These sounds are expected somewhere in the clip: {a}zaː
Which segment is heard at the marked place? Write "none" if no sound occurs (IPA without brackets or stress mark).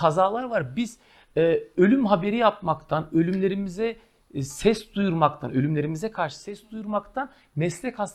a